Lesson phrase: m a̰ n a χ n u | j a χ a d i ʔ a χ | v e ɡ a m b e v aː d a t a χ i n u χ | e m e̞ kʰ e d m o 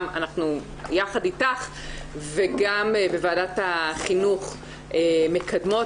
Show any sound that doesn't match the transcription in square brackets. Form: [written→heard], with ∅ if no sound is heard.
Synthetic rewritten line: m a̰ n a χ n u | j a χ a d i [ʔ→t] a χ | v e ɡ a m b e v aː d a t a χ i n u χ | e m e̞ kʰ [e→a] d m o